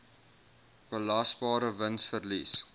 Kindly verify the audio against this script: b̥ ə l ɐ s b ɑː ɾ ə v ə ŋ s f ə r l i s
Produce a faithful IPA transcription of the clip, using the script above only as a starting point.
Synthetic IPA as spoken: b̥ ə l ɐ s b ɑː ɾ ə v ə n s f ə r l i s